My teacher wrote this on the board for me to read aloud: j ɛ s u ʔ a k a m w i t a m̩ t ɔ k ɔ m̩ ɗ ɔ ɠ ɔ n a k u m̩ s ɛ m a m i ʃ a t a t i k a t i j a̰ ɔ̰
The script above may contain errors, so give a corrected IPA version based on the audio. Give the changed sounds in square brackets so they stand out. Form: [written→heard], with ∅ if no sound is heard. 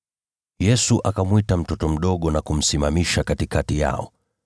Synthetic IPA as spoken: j ɛ s u ʔ a k a m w i t a m̩ t ɔ [k→t] ɔ m̩ ɗ ɔ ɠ ɔ n a k u m̩ s [ɛ→i] m a m i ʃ a [t→k] a t i k a t i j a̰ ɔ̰